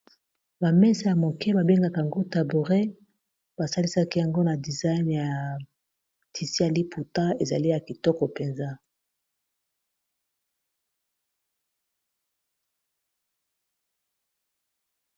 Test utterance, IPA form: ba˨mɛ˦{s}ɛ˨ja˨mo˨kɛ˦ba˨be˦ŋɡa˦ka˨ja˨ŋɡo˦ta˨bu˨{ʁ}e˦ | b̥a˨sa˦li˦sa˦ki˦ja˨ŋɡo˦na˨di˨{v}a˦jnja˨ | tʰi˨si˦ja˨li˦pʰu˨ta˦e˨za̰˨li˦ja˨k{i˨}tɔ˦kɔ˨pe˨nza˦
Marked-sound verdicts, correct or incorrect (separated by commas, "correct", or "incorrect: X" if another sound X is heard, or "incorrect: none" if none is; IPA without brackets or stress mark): correct, correct, incorrect: z, correct